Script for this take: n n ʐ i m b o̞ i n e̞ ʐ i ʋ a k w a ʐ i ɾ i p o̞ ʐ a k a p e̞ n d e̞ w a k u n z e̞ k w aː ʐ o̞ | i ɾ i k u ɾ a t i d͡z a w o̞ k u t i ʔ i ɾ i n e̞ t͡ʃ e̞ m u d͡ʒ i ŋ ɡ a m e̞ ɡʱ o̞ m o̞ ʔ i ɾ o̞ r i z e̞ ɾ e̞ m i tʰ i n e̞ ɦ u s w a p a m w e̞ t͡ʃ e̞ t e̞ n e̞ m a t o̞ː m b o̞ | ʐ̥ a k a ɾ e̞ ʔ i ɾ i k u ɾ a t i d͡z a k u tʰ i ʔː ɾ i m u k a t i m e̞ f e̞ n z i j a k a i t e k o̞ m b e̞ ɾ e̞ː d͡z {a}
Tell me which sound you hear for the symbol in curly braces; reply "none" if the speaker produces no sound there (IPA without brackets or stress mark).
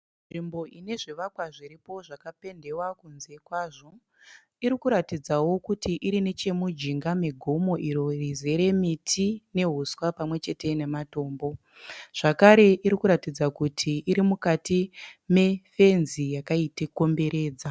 a